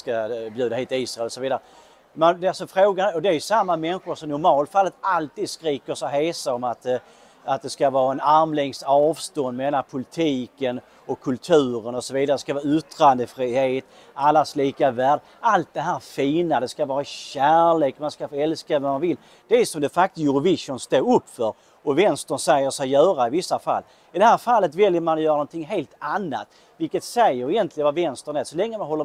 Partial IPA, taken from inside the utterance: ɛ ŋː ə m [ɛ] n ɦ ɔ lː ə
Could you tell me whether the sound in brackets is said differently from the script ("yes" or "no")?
yes